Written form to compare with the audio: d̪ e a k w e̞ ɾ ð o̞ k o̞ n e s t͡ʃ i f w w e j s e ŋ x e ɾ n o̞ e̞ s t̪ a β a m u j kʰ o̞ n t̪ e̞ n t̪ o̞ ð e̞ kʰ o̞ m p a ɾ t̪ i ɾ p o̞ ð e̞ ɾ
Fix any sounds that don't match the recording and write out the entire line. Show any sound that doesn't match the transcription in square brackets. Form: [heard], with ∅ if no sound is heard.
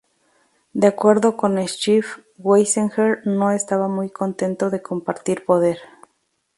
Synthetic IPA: d̪ e a k w e̞ ɾ ð o̞ k o̞ n e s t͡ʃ i f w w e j s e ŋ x e ɾ n o̞ e̞ s t̪ a β a m u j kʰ o̞ n t̪ e̞ n t̪ o̞ ð e̞ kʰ o̞ m p a ɾ t̪ i ɾ p o̞ ð e̞ ɾ